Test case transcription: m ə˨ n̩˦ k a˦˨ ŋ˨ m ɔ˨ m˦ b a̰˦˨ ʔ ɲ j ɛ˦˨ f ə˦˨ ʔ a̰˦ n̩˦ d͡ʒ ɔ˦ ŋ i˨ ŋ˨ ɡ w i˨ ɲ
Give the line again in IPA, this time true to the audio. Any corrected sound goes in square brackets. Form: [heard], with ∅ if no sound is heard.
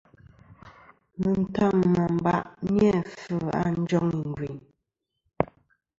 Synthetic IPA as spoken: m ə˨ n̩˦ [t] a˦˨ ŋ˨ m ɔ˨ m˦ b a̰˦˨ ʔ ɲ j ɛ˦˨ f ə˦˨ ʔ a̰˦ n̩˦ d͡ʒ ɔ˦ ŋ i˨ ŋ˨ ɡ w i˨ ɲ